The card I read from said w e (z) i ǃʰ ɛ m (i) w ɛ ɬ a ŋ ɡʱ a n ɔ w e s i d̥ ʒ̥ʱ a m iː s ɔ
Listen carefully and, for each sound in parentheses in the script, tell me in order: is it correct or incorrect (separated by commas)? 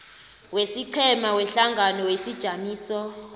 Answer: incorrect, incorrect